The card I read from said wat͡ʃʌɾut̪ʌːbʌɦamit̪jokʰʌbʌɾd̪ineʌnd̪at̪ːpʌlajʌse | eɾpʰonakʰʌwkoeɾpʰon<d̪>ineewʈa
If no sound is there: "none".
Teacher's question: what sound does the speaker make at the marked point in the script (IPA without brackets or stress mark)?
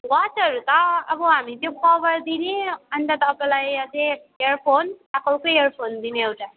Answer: d̪